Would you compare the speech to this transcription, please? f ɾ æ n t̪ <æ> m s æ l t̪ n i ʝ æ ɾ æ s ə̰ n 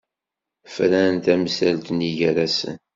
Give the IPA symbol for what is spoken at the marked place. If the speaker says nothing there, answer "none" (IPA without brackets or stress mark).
æ